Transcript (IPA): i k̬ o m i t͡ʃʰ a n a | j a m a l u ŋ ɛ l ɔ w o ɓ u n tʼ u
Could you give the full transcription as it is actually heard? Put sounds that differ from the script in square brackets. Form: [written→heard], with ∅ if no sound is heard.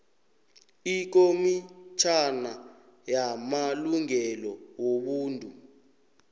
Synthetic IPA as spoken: i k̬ o m i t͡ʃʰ a n a | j a m a l u ŋ ɛ l ɔ w o ɓ [u→uː] n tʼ u